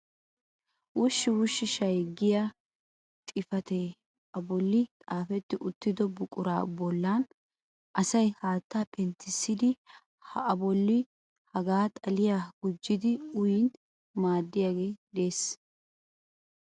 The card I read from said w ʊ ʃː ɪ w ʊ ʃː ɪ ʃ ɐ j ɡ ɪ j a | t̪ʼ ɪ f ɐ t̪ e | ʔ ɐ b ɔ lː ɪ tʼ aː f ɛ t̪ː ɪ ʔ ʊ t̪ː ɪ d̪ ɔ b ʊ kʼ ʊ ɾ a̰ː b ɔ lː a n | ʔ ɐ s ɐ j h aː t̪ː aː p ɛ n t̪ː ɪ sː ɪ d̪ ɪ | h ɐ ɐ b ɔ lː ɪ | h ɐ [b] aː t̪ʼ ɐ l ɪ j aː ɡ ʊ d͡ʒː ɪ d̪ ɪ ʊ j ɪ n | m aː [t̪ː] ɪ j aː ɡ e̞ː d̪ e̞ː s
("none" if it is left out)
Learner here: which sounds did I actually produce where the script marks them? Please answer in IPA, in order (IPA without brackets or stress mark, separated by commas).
ɡ, d̪ː